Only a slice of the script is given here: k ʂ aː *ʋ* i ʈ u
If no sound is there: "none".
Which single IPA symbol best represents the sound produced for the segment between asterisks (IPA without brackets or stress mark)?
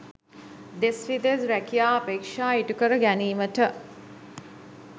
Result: none